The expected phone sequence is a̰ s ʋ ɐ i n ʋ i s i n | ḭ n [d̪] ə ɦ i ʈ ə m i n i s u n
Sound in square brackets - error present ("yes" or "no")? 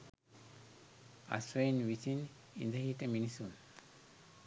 no